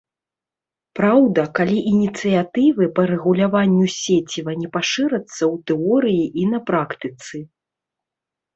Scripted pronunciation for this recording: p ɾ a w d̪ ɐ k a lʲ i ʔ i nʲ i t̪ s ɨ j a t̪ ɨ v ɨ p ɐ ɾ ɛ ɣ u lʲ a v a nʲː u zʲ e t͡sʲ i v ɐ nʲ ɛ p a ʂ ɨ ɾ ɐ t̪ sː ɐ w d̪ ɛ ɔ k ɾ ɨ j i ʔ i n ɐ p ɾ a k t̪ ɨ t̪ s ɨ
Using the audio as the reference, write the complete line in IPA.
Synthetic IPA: p ɾ a w d̪ ɐ k a lʲ i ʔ i nʲ i t̪ s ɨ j a t̪ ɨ v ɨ p ɐ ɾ ɛ ɣ u lʲ a v a nʲː u sʲ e t͡sʲ i v ɐ nʲ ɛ p a ʂ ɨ ɾ ɐ t̪ sː ɐ w t̪ ɛ ɔ ɾ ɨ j i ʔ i n ɐ p ɾ a k t̪ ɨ t̪ s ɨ